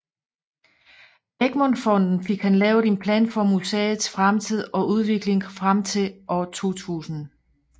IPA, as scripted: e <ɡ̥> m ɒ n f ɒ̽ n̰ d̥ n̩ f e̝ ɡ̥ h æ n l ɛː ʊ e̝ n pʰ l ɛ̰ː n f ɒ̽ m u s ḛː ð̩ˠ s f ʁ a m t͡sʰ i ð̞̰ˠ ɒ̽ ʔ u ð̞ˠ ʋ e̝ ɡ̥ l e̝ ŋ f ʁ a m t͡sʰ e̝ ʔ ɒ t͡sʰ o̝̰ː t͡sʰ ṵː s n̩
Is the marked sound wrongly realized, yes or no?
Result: no